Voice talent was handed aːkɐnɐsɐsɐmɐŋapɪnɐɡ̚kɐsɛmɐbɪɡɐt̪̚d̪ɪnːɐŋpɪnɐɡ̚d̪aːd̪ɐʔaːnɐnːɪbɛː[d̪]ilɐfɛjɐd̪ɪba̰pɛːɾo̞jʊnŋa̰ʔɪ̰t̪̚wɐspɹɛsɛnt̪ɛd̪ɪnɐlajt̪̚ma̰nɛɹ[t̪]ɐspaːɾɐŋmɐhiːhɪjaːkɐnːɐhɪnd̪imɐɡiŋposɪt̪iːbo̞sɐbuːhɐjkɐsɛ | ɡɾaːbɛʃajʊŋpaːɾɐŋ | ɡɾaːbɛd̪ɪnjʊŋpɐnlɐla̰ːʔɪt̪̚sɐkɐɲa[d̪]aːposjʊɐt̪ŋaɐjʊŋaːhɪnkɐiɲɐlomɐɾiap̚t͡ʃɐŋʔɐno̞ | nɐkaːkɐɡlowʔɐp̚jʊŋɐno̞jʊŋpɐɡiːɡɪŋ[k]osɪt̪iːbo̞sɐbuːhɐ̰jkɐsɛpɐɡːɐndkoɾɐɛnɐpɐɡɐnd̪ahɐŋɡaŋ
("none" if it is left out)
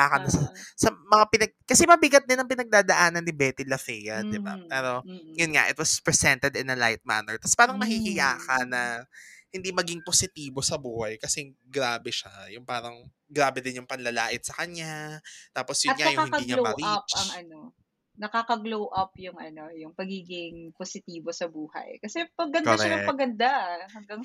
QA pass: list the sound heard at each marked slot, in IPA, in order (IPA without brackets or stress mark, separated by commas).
t̪, t̪, t̪, p